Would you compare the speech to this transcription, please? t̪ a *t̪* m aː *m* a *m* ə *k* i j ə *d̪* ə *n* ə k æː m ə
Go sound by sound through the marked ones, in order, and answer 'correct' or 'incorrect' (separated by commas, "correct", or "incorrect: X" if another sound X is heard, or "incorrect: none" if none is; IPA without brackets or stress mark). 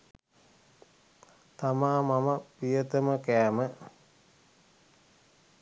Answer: incorrect: none, correct, correct, incorrect: p, incorrect: t̪, incorrect: m